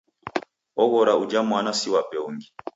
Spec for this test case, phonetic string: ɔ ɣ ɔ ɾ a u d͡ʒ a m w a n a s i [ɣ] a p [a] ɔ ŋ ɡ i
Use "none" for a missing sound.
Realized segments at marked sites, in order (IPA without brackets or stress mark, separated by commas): w, ɛ